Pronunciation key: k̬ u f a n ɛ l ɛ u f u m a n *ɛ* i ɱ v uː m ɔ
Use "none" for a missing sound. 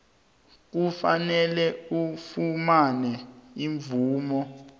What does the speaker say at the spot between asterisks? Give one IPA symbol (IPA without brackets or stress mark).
ɛ